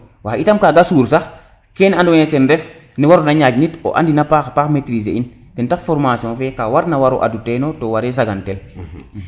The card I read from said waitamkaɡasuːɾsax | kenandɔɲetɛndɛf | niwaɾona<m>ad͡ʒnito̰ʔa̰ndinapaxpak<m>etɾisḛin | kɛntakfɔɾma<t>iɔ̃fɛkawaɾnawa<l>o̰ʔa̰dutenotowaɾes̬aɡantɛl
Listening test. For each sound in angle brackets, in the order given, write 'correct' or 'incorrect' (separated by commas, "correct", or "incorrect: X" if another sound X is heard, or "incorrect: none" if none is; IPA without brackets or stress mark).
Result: incorrect: ɲ, correct, incorrect: s, incorrect: ɾ